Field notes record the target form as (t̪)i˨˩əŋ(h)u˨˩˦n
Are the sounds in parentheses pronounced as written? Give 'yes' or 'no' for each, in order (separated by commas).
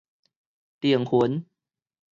yes, yes